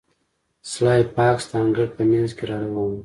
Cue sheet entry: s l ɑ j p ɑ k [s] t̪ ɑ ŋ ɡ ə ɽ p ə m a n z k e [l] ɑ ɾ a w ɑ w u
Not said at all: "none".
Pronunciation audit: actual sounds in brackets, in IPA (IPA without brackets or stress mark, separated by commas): s, ɾ